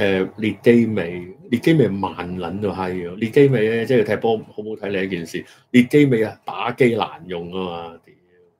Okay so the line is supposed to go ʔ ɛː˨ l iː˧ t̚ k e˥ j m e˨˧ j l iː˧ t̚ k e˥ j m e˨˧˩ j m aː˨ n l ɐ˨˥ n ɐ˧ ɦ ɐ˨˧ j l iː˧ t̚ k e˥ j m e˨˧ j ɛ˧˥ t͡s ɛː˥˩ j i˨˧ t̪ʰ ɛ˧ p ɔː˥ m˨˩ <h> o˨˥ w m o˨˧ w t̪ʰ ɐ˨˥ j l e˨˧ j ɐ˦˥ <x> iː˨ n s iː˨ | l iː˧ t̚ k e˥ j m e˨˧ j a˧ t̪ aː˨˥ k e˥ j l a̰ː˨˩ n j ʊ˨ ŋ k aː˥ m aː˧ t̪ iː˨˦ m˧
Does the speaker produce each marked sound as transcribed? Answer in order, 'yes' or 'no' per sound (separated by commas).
yes, no